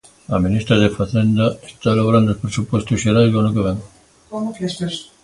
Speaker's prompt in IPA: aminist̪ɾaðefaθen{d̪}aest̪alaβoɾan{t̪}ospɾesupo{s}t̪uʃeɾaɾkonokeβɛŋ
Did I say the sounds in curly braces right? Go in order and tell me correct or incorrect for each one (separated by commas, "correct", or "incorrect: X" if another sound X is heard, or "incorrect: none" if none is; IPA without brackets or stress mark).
correct, incorrect: d̪, correct